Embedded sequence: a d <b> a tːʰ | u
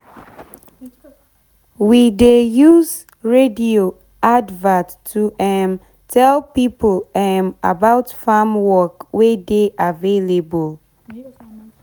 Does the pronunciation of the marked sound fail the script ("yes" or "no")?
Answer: yes